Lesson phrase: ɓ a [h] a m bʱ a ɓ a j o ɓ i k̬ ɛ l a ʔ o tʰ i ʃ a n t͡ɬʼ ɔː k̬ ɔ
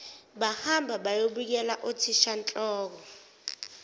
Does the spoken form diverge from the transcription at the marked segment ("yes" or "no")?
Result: no